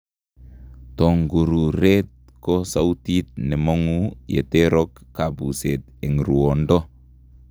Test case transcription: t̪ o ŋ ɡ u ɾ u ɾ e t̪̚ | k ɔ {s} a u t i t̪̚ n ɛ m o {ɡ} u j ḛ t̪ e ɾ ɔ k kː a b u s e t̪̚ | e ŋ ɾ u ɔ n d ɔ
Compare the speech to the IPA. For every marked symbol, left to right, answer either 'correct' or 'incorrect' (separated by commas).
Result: correct, incorrect